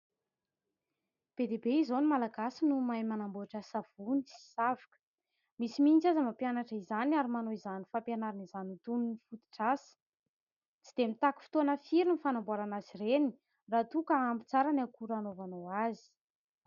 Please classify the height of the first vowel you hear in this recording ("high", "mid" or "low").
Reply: mid